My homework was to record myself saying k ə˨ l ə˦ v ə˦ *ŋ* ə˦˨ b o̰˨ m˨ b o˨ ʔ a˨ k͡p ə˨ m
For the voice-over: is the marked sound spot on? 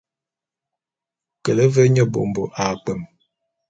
no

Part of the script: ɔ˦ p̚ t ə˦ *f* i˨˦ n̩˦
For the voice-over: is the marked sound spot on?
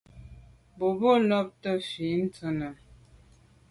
yes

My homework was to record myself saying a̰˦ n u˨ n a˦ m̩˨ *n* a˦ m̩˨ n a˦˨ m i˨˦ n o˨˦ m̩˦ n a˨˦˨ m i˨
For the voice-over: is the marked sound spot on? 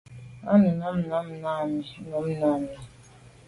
yes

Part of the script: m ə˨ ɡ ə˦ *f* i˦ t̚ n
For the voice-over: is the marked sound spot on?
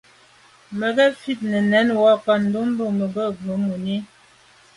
yes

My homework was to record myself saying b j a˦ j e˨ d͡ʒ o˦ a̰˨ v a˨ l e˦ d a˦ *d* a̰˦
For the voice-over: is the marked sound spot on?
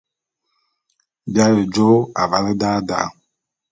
yes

